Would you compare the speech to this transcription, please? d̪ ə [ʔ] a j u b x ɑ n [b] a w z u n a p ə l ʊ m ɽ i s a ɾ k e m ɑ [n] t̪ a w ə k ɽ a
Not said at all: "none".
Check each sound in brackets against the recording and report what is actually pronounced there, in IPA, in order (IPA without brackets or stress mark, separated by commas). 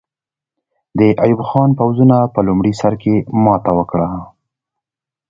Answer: ʔ, p, none